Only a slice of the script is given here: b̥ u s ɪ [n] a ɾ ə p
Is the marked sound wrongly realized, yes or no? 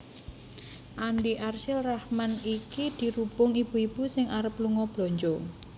yes